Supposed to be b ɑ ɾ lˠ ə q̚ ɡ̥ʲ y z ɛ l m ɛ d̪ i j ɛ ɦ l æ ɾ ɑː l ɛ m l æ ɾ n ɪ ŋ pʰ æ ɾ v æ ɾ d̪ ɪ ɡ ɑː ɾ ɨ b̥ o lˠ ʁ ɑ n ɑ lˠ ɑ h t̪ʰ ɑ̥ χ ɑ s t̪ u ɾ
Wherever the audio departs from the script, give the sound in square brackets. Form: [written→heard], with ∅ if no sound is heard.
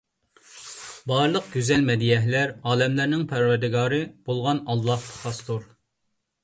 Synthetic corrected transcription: b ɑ ɾ lˠ ə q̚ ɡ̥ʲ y z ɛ l m ɛ d̪ i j ɛ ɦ l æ ɾ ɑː l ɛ m l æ ɾ n ɪ ŋ pʰ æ ɾ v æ ɾ d̪ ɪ ɡ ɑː ɾ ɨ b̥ o lˠ ʁ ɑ n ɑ [lˠ→lˠː] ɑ h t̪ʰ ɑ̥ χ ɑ s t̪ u ɾ